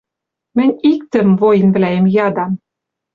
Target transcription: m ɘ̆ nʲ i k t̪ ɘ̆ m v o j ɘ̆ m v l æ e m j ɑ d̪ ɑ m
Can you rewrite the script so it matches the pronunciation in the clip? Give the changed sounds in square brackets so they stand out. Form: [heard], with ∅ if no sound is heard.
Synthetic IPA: m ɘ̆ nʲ i k t̪ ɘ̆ m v o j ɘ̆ [n] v l æ e m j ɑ d̪ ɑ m